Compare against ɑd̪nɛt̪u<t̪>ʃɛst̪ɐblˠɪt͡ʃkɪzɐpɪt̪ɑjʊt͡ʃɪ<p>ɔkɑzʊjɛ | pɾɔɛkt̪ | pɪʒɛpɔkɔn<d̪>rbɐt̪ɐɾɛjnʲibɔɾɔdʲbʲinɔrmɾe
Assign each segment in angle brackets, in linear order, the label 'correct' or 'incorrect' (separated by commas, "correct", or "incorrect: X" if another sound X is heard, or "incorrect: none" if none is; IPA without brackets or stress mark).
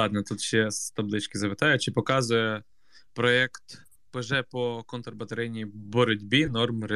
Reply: correct, correct, incorrect: t̪